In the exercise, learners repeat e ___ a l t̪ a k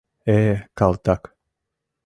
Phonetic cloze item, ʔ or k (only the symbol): k